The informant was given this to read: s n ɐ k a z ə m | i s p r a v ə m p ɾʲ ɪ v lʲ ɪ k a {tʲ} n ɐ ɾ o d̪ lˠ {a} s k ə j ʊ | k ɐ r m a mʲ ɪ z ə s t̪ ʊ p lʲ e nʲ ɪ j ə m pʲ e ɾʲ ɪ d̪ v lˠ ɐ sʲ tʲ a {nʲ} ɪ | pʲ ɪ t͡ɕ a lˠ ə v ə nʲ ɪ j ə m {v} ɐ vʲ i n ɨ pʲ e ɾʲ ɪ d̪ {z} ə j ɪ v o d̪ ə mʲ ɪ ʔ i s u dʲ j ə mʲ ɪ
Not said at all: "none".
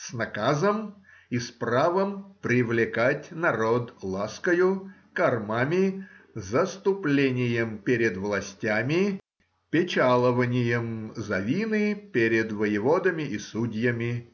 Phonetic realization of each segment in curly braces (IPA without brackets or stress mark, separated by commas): tʲ, a, mʲ, z, v